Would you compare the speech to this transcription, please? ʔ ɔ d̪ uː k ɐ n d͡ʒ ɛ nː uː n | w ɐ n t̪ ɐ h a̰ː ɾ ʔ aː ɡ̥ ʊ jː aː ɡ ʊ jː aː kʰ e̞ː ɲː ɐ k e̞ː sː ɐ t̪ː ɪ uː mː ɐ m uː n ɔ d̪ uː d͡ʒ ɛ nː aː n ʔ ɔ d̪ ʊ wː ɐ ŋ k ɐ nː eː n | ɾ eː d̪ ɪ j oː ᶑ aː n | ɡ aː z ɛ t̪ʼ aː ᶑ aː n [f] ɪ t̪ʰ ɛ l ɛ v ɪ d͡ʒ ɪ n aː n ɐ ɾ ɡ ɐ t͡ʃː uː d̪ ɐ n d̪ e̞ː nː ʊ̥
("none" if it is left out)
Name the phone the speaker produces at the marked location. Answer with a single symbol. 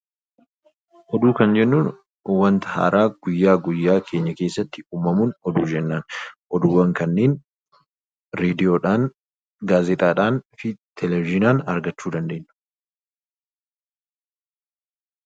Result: f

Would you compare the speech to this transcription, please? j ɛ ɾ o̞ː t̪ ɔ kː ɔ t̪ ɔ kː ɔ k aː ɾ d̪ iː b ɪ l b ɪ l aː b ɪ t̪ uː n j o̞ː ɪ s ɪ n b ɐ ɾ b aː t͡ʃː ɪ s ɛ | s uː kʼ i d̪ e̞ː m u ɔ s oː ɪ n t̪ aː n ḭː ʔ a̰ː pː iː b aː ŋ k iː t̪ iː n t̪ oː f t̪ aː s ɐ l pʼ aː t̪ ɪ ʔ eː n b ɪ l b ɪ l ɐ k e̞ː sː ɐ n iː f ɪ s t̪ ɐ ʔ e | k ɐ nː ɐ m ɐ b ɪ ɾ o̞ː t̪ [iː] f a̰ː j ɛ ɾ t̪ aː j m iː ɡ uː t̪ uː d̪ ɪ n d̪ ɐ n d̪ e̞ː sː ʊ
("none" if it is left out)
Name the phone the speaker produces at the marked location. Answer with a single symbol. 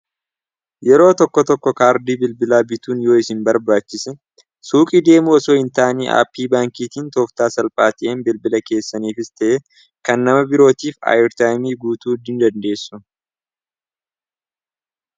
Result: iː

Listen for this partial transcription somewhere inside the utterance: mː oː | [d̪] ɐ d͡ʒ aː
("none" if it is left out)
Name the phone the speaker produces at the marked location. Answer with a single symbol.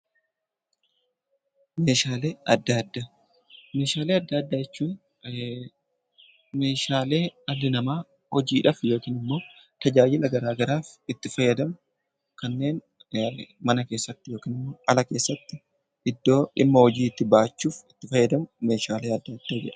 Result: t̪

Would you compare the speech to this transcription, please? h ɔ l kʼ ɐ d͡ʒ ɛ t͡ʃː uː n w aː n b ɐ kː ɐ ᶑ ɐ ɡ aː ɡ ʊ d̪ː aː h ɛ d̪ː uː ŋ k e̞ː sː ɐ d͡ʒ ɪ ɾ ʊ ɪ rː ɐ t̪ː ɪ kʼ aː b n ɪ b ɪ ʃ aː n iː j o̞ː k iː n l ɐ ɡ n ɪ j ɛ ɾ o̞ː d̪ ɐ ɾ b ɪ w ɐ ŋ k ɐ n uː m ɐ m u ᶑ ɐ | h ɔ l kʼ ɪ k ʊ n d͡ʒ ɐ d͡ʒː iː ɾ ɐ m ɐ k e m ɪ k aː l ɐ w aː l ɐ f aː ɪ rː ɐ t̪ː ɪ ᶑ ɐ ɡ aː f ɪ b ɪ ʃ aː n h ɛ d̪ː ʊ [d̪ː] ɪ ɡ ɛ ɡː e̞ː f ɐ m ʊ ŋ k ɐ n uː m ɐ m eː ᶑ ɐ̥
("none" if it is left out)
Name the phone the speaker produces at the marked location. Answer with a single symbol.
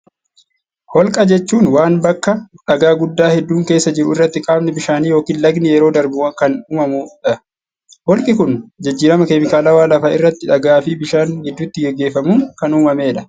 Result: t̪ː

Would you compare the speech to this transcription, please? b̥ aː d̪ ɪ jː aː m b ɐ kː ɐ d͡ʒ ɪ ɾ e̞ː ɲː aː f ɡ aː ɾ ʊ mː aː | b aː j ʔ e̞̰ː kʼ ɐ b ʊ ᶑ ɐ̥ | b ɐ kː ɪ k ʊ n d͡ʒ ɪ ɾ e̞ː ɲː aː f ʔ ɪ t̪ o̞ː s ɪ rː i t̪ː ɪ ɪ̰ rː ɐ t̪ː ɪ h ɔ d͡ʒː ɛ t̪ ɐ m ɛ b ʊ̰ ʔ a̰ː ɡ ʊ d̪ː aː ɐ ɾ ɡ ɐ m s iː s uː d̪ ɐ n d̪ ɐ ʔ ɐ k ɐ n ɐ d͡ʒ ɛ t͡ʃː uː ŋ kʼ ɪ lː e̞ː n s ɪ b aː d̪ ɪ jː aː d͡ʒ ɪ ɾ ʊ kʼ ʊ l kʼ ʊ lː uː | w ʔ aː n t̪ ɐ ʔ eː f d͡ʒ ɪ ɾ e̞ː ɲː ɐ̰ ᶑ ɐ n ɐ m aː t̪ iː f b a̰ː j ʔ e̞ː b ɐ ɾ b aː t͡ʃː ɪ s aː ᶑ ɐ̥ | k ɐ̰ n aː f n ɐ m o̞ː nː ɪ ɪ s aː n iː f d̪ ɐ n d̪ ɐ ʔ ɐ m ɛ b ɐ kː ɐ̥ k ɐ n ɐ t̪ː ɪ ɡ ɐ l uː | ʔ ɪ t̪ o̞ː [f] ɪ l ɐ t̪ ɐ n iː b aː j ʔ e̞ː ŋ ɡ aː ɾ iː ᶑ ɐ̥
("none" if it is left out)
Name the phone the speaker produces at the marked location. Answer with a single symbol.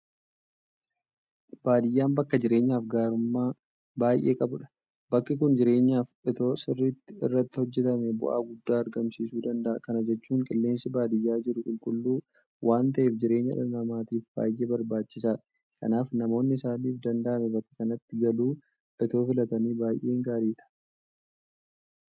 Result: f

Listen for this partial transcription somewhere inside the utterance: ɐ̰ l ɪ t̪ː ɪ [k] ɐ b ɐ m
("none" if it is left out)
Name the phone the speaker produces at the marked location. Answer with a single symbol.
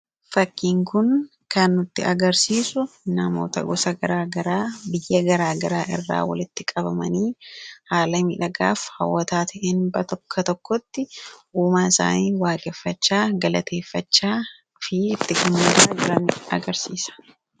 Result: kʼ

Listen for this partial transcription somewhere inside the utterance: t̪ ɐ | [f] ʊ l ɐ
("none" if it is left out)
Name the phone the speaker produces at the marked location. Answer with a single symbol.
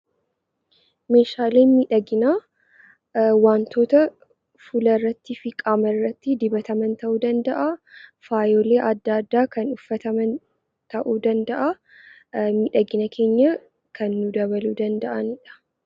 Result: f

